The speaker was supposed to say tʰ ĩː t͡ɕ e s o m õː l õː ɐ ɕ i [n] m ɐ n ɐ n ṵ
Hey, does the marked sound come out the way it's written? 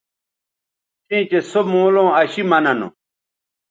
no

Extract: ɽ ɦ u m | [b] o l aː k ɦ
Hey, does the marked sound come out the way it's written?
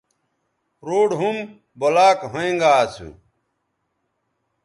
yes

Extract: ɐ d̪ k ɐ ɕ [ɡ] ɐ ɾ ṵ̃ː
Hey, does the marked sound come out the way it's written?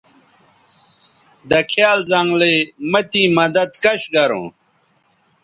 yes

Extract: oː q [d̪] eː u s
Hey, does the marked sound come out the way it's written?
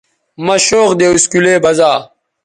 yes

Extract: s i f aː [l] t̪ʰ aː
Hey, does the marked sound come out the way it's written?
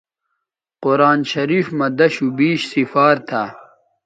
no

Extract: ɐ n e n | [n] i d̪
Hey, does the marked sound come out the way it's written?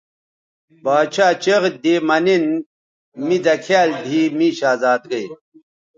no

